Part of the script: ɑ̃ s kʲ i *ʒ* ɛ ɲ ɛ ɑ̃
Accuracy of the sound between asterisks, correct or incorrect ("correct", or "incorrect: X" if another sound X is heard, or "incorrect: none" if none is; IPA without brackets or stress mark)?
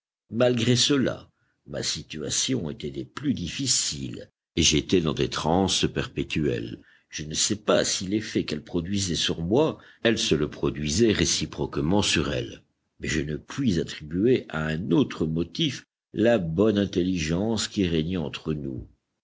incorrect: ʁ